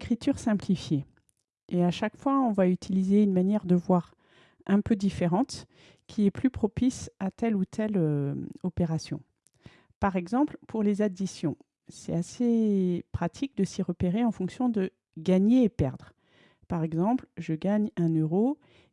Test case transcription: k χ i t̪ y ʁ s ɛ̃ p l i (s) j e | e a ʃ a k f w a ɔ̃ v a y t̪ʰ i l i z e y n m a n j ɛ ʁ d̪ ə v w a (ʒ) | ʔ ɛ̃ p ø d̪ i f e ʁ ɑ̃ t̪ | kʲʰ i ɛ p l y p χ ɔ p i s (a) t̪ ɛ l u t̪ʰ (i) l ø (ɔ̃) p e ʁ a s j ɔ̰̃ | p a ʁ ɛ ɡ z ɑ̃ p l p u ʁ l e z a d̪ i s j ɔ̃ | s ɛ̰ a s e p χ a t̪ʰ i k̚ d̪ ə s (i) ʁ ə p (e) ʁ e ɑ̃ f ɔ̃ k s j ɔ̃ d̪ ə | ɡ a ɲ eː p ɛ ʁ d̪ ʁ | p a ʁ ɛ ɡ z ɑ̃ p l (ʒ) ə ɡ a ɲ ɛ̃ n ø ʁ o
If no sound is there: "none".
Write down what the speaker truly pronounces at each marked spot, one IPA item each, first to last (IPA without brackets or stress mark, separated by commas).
f, ʁ, a, ɛ, ɔ, i, e, ʒ